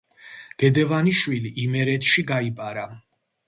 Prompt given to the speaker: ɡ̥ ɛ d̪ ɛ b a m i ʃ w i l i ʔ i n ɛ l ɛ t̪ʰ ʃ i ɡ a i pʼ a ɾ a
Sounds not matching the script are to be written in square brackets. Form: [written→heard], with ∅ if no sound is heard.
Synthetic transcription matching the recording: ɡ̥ ɛ d̪ ɛ [b→v] a [m→n] i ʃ w i l i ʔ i [n→m] ɛ [l→ɾ] ɛ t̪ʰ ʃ i ɡ a i pʼ a ɾ a